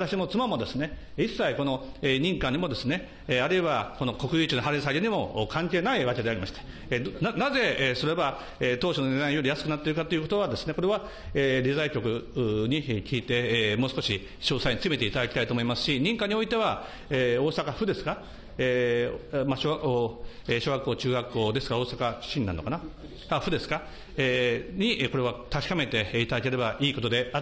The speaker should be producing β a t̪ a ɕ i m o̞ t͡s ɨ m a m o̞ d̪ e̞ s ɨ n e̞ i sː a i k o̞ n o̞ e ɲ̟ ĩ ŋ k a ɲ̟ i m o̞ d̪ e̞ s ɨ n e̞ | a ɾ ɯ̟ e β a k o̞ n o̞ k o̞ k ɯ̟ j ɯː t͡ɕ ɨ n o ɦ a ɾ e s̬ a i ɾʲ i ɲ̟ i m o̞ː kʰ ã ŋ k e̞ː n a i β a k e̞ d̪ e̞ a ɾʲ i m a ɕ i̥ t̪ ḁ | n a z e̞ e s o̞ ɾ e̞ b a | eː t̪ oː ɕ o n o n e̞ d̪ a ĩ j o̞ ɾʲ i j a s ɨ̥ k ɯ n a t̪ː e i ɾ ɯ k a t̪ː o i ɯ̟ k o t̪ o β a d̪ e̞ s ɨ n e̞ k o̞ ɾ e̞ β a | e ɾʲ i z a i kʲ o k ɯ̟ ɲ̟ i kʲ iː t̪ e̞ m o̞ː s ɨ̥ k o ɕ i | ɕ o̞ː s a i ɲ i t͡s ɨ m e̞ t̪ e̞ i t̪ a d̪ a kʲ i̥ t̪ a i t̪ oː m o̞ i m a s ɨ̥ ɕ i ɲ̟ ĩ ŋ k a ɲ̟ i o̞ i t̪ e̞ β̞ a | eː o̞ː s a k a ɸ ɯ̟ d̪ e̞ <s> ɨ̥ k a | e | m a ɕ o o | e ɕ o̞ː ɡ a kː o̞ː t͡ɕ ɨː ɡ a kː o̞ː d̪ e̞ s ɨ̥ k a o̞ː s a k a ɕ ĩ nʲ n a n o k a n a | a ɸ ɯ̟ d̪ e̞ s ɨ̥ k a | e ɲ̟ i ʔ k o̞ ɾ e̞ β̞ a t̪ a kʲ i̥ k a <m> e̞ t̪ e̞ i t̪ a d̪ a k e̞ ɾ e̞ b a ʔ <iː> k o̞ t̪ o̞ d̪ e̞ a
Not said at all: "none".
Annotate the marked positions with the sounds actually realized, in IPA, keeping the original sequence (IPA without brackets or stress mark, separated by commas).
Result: s, m, iː